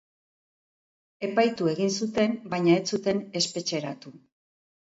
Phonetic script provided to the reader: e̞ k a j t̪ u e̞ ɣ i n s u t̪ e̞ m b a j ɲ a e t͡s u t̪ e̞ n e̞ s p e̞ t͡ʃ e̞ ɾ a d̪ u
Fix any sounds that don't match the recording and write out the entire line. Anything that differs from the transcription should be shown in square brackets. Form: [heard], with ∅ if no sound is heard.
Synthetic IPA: e̞ [p] a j t̪ u e̞ ɣ i n s u t̪ e̞ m b a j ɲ a e t͡s u t̪ e̞ n e̞ s p e̞ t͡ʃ e̞ ɾ a [t̪] u